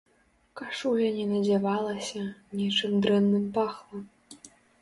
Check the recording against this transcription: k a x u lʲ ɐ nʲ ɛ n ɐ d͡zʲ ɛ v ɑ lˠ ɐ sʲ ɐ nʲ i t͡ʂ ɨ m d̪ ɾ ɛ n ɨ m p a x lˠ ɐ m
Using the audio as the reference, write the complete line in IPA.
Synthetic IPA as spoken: k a ʂ u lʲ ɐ nʲ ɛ n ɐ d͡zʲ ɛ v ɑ lˠ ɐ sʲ ɐ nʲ i t͡ʂ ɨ m d̪ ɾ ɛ nː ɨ m p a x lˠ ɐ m